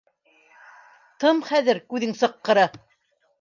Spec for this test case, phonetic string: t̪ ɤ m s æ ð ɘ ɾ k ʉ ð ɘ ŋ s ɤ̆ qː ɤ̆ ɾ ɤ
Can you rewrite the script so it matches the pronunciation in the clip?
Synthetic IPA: t̪ ɤ m χ æ ð ɘ ɾ k ʉ ð ɘ ŋ s ɤ̆ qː ɤ̆ ɾ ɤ

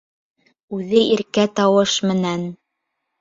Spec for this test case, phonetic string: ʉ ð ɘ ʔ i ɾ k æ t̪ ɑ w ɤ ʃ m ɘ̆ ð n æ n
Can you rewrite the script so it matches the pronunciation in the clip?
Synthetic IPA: ʉ ð ɘ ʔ i ɾ k æ t̪ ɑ w ɤ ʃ m ɘ̆ n æ n

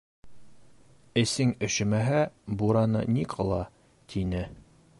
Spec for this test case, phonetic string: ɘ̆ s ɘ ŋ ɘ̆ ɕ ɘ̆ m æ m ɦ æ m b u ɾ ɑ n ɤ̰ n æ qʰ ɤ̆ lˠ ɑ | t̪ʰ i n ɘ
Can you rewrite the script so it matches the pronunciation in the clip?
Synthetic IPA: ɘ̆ s ɘ ŋ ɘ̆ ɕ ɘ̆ m æ ɦ æ b u ɾ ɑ n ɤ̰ n i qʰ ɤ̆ lˠ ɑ | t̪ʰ i n ɘ

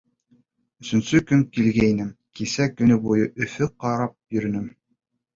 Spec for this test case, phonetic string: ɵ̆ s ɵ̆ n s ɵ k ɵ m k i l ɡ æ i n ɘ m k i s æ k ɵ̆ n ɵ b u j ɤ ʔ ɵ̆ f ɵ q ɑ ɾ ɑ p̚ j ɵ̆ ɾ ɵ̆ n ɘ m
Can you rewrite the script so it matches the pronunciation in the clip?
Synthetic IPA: ɵ̆ s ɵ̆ n s ɵ k ɵ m k i l ɡ æ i n ɘ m k i s æ k ɵ̆ n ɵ b u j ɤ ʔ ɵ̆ f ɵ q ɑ ɾ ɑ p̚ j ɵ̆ ɾ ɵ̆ n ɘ m

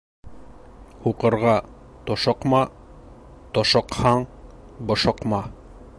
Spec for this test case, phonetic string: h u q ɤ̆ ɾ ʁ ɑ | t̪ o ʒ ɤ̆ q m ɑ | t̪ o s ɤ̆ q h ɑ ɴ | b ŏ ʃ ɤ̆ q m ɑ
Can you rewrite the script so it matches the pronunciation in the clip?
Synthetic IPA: h u q ɤ̆ ɾ ʁ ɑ | t̪ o ʃ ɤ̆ q m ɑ | t̪ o ʃ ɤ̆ q h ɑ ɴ | b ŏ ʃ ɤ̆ q m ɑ

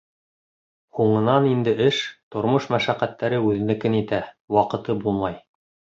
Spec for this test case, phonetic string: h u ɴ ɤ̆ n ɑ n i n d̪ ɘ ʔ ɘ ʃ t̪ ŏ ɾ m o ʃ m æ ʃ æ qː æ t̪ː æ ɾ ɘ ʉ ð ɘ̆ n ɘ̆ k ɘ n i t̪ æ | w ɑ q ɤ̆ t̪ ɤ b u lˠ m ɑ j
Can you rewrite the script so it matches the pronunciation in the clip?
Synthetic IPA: h u ɴ ɤ̆ n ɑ n i n d̪ ɘ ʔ ɘ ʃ t̪ ŏ ɾ m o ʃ m æ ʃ æ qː æ t̪ː æ ɾ ɘ ʉ ð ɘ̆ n ɘ̆ k ɘ n i t̪ æ | w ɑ q ɤ̆ t̪ ɤ b u lˠ m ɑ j

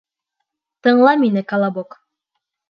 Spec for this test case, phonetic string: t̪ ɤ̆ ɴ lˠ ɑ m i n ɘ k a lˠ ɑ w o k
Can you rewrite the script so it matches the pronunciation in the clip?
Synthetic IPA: t̪ ɤ̆ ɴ lˠ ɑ m i n ɘ k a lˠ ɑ b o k

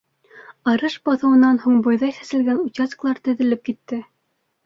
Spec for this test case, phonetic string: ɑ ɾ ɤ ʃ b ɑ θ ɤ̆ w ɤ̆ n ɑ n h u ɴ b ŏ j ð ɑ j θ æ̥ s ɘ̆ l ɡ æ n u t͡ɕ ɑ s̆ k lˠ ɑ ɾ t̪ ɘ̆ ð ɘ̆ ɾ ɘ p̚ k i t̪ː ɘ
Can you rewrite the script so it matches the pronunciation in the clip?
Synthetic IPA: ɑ ɾ ɤ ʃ b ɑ θ ɤ̆ w ɤ̆ n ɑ n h u ɴ b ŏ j ð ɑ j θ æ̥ s ɘ̆ l ɡ æ n u t͡ɕ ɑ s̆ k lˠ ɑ ɾ t̪ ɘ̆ ð ɘ̆ l ɘ p̚ k i t̪ː ɘ

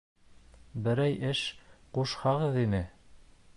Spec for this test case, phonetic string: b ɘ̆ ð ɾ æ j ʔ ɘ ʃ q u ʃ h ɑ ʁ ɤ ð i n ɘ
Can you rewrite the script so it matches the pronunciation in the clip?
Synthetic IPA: b ɘ̆ ɾ æ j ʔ ɘ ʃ q u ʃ h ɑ ʁ ɤ ð i n ɘ

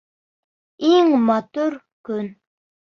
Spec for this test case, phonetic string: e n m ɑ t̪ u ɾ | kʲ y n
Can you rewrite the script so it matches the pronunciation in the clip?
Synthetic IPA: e ŋ m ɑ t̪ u ɾ | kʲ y n

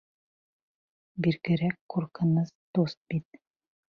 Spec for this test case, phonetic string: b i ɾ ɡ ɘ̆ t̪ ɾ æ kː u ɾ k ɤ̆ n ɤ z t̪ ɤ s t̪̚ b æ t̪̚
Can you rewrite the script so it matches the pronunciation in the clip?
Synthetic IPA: b i ɾ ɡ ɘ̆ ɾ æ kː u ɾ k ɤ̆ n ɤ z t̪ o s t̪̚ b i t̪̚

